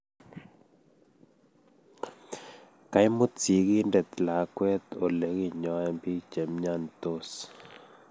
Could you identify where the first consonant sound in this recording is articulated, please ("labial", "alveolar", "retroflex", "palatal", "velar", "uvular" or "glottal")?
velar